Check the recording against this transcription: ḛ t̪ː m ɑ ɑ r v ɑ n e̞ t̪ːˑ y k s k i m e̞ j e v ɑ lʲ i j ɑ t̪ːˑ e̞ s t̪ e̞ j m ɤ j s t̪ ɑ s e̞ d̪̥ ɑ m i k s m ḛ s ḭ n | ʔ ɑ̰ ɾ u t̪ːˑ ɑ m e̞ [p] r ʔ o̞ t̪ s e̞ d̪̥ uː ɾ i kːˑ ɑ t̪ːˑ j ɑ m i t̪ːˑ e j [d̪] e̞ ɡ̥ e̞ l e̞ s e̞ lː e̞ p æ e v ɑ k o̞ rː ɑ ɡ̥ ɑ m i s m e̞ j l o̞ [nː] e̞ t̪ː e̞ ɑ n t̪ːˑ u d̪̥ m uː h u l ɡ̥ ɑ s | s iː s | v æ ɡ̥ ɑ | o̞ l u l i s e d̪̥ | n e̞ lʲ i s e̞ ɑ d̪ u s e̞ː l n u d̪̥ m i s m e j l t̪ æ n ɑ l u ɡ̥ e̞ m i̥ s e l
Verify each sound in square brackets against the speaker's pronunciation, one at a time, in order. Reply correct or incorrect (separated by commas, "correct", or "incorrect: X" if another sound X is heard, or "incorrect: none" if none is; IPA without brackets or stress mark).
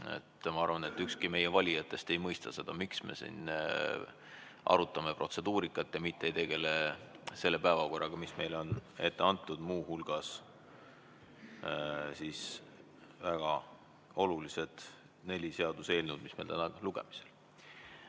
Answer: correct, incorrect: t̪, incorrect: n